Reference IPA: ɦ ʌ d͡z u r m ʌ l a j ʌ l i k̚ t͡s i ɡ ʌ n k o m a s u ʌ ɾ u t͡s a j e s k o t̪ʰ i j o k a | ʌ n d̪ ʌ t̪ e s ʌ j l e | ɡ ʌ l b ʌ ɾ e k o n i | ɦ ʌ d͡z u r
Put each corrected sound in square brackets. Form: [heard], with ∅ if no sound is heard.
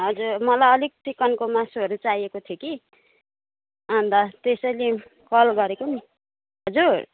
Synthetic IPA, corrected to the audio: ɦ ʌ d͡z u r m ʌ l a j ʌ l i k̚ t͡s i [k] ʌ n k o m a s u ʌ ɾ u t͡s a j e [∅] k o t̪ʰ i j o k [i] | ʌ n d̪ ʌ t̪ e s ʌ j l e | [k] ʌ l [ɡ] ʌ ɾ e k o n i | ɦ ʌ d͡z u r